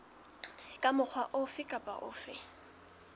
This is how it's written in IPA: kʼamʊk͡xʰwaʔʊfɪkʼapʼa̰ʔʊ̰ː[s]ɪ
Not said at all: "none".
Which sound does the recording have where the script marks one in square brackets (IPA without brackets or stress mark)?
f